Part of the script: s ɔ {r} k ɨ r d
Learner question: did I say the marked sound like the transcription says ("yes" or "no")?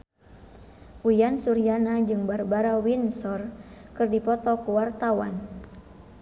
yes